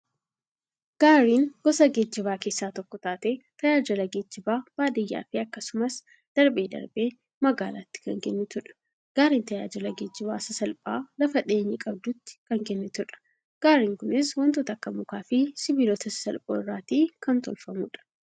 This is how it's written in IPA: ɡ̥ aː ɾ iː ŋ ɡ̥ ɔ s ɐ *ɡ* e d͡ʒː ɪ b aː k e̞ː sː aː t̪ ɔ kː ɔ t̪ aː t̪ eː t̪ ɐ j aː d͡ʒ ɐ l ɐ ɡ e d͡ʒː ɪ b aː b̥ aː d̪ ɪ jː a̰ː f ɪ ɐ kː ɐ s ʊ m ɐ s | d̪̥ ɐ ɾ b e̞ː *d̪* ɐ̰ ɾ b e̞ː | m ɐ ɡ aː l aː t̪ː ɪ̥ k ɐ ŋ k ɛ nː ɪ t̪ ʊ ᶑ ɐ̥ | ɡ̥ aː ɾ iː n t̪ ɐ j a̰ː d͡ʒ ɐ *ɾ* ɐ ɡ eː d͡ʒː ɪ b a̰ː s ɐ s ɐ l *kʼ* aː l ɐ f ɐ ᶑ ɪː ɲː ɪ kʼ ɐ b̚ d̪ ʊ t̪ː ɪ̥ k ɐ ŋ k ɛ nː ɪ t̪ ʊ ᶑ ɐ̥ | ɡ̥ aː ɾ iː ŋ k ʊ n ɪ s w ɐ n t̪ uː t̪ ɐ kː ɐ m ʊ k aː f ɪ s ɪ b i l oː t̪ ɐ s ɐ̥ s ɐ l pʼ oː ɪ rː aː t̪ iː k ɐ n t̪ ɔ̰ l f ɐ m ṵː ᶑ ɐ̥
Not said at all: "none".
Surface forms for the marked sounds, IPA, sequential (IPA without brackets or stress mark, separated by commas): ɡ, d̪, l, pʼ